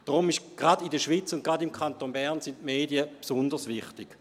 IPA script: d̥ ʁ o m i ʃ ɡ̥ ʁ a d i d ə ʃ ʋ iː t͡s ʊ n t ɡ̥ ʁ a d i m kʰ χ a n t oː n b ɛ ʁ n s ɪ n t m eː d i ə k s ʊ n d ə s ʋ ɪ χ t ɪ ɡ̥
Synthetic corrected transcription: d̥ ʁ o m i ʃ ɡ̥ ʁ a d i d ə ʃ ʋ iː t͡s ʊ n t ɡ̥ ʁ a d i m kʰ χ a n t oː n b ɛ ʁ n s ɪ n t m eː d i ə p s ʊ n d ə s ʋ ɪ χ t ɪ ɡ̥